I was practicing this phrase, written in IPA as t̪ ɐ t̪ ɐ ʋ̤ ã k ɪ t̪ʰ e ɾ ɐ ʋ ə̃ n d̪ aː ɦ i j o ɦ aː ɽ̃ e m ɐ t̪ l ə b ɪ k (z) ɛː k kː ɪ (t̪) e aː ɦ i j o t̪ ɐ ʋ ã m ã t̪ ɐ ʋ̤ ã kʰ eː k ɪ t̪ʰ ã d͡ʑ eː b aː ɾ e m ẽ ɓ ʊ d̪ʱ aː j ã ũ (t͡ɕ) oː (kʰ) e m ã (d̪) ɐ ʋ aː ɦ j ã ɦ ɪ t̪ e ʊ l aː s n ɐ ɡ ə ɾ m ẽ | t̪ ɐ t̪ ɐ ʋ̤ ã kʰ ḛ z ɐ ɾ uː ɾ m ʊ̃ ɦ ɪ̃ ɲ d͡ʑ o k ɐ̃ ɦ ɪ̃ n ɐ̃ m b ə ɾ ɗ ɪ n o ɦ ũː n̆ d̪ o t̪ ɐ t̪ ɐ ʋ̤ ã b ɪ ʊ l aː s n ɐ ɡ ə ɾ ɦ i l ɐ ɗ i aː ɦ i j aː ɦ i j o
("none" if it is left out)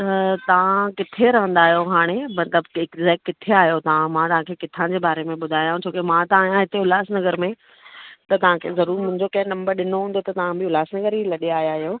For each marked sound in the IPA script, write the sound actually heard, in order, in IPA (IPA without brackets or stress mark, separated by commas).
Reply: z, t̪ʰ, t͡ɕʰ, k, t̪